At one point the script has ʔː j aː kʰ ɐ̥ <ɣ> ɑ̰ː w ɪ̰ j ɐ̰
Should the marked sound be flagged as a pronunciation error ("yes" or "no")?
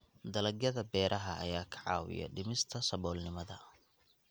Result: yes